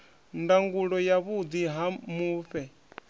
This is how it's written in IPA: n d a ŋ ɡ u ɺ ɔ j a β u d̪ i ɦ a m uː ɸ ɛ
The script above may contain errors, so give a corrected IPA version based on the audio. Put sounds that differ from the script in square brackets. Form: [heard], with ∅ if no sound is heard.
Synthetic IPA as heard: n d a ŋ ɡ u ɺ ɔ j a β u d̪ i ɦ a m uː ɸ ɛ